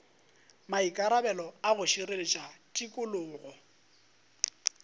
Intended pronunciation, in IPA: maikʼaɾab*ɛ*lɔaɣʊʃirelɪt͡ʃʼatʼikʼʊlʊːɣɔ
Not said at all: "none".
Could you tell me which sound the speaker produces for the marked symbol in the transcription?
ɛ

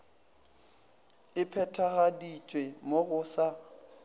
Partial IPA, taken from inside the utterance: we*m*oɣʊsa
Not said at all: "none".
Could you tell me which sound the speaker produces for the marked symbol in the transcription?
m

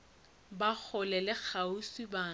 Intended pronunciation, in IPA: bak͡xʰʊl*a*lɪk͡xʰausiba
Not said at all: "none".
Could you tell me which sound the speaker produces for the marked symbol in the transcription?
ɛ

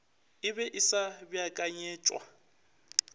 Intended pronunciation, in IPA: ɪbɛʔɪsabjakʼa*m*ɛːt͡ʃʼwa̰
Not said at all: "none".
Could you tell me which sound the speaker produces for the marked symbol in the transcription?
ɲ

